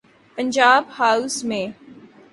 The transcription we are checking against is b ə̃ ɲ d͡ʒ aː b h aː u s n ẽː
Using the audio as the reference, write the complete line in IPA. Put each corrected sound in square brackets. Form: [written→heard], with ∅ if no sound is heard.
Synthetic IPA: [b→p] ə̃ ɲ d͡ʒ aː b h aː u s [n→m] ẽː